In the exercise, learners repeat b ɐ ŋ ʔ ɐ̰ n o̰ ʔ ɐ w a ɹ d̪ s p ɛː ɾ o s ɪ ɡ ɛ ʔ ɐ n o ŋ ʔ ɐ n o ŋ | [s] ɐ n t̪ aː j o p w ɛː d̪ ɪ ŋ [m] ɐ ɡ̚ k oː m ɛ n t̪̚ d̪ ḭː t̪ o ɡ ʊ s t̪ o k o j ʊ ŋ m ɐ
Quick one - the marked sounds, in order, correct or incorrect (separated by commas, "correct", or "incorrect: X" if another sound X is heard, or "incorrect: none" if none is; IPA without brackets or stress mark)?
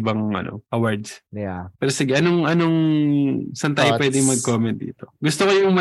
correct, correct